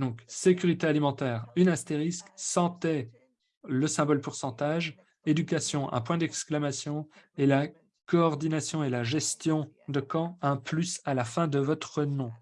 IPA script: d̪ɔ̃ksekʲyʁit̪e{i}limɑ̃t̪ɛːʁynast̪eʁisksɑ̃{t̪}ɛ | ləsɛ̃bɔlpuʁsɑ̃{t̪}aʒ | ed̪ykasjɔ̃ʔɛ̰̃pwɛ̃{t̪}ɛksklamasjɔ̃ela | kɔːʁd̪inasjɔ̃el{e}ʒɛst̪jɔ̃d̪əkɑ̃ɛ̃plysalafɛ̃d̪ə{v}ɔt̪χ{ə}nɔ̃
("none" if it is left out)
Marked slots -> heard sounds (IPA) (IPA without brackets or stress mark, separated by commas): a, t̪, t̪, d̪, a, v, ə